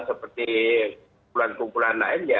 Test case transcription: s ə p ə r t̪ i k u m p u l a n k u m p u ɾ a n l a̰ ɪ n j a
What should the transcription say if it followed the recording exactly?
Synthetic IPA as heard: s ə p ə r t̪ i k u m p u l a n k u m p u l a n l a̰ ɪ n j a